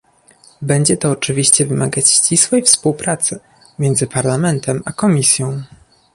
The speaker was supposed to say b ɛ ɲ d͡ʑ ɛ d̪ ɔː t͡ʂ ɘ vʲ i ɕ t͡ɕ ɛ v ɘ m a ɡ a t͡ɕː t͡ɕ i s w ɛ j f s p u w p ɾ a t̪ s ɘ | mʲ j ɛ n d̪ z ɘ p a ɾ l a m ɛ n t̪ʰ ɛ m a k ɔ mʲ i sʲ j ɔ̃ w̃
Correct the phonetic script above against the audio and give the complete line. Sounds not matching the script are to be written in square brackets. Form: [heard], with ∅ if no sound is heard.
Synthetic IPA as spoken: b ɛ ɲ d͡ʑ ɛ [t̪] ɔː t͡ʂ ɘ vʲ i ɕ t͡ɕ ɛ v ɘ m a ɡ a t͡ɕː t͡ɕ i s w ɛ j f s p u w p ɾ a t̪ s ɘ | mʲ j ɛ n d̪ z ɘ p a ɾ l a m ɛ n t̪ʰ ɛ m a k ɔ mʲ i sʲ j ɔ̃ w̃